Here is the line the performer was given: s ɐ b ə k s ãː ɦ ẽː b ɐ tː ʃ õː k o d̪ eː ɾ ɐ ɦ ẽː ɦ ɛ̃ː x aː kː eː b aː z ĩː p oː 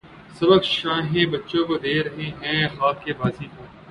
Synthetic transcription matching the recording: s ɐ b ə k ʃ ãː ɦ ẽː b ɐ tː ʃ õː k o d̪ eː ɾ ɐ ɦ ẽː ɦ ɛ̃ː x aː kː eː b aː z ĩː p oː